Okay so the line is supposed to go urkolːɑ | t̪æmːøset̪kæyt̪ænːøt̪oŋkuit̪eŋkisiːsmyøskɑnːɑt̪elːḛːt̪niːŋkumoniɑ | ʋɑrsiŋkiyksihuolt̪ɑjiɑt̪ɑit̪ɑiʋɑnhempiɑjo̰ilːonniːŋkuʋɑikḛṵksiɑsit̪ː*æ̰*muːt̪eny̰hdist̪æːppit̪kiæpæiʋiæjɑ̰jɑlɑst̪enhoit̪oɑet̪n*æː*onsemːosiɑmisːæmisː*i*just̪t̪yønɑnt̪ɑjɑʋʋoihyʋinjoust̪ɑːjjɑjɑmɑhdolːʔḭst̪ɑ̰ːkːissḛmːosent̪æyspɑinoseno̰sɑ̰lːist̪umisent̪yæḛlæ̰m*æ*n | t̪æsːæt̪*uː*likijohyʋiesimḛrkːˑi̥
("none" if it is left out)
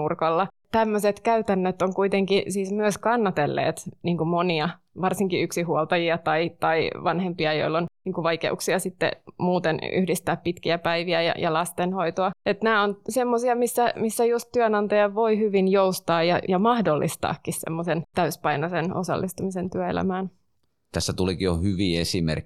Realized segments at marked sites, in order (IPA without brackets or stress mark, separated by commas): ḛ, æː, æ, æː, u